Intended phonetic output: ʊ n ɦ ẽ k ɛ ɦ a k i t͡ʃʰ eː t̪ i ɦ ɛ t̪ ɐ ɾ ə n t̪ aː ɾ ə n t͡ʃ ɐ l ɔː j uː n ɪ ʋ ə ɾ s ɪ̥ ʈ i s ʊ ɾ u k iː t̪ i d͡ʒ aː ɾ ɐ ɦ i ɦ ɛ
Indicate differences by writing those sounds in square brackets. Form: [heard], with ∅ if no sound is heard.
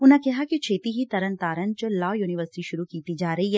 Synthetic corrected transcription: ʊ n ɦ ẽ k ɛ ɦ a k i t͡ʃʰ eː t̪ i ɦ [i] t̪ ɐ ɾ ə n t̪ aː ɾ ə n t͡ʃ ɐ l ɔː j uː n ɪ ʋ ə ɾ s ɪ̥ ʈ i [ʃ] ʊ ɾ u k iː t̪ i d͡ʒ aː ɾ ɐ ɦ i ɦ ɛ